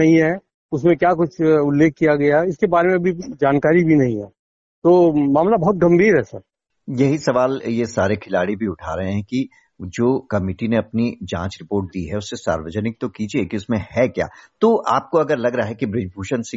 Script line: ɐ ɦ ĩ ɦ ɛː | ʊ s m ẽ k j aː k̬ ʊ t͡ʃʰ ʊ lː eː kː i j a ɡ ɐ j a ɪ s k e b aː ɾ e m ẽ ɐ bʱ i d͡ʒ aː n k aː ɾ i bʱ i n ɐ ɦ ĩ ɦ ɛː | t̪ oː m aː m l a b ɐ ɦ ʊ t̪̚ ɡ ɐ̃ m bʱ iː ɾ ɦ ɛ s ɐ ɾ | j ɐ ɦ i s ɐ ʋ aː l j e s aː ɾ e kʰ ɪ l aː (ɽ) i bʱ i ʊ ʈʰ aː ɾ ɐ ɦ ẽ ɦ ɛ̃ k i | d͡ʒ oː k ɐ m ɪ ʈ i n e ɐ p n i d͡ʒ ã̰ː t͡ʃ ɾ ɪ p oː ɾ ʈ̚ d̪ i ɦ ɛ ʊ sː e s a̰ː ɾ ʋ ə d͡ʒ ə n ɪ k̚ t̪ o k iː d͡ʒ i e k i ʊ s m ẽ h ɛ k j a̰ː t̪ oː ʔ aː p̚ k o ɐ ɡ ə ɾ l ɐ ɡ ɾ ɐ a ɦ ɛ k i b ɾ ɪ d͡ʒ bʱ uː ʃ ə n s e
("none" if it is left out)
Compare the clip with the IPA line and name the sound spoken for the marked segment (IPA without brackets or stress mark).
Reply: ɽ